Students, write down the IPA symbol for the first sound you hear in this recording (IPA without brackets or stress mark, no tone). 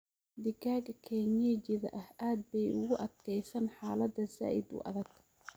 d̪